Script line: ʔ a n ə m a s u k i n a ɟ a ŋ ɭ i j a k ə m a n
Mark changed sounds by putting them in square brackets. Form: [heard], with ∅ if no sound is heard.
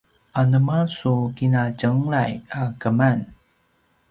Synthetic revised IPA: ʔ a n ə m a s u k i n a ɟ [ə] ŋ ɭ [a] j a k ə m a n